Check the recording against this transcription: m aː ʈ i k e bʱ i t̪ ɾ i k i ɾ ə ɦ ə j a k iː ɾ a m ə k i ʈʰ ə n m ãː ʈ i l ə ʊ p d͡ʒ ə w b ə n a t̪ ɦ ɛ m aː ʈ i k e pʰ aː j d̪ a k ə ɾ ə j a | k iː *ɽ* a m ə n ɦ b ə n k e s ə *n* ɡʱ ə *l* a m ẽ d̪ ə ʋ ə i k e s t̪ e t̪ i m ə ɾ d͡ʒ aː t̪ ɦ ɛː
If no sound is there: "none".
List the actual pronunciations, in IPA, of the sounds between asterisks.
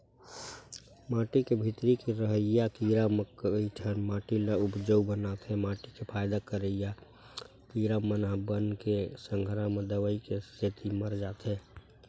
ɾ, ŋ, ɾ

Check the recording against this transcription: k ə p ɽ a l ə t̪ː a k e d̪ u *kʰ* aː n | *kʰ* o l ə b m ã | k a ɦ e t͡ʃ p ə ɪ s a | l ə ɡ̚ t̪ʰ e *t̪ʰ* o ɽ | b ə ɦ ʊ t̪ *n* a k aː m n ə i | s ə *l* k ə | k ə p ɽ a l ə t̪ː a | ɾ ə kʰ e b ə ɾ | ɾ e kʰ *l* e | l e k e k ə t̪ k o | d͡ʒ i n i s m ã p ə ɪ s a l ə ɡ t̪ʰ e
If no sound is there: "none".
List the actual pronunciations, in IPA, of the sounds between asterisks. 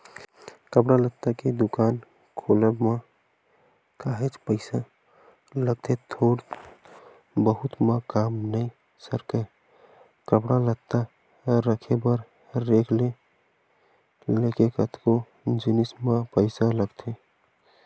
k, kʰ, t̪ʰ, m, ɾ, l

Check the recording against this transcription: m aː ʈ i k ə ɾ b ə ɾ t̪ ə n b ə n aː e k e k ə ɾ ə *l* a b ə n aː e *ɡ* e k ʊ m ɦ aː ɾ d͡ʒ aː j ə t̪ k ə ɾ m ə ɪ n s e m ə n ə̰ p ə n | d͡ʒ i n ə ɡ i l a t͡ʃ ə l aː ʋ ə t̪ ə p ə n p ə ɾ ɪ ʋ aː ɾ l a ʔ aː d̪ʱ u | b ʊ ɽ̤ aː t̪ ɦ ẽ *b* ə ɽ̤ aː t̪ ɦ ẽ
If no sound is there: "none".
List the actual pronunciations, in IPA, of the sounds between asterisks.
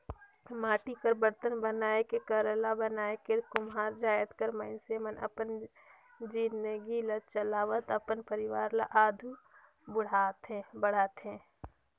l, k, b

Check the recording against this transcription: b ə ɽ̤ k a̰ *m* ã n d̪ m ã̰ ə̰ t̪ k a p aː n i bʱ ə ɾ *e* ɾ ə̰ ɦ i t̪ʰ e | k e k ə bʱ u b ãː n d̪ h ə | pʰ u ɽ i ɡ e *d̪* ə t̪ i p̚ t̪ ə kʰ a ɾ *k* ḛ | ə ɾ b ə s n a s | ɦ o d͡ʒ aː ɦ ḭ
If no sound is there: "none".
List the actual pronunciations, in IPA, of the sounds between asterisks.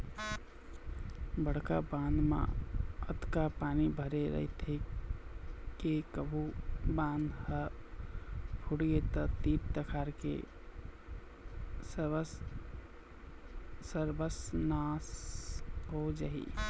b, e, t̪, k

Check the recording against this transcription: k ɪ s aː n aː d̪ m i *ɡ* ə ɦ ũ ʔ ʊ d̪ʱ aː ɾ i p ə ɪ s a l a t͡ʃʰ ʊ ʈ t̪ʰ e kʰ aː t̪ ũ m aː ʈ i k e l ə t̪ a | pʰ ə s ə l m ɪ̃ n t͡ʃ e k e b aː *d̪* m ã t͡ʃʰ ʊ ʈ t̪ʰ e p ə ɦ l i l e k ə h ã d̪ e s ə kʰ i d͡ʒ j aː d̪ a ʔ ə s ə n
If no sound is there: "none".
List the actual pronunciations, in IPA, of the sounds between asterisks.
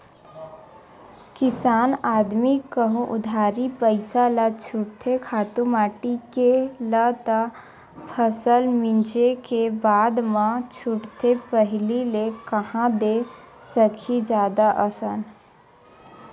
k, d̪

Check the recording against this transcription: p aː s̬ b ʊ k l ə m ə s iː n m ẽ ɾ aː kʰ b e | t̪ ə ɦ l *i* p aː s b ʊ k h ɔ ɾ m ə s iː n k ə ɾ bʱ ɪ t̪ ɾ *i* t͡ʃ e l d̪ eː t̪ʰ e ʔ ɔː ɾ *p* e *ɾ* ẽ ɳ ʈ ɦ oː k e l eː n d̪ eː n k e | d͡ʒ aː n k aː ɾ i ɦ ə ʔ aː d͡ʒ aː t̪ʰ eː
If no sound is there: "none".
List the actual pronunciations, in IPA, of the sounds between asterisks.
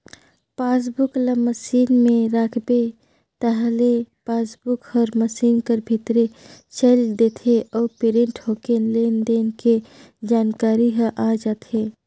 e, e, p, ɾ

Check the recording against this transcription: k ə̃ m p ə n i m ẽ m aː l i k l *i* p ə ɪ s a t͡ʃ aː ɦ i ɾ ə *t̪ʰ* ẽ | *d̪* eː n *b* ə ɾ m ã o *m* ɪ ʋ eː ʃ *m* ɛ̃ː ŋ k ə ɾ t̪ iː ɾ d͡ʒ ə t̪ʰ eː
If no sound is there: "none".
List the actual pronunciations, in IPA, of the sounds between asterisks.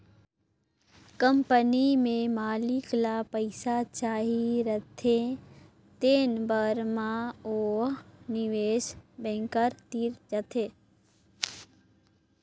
a, t̪ʰ, t̪, b, n, b

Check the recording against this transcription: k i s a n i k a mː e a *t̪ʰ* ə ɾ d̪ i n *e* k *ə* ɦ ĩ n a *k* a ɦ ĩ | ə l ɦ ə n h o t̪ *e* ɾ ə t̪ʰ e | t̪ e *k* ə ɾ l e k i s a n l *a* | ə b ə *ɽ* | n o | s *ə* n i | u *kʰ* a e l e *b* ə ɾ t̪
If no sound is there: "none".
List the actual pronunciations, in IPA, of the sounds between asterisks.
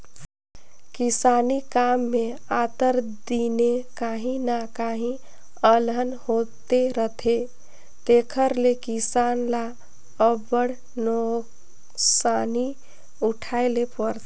t̪, e, a, k, e, kʰ, a, ɽ, a, ʈʰ, p

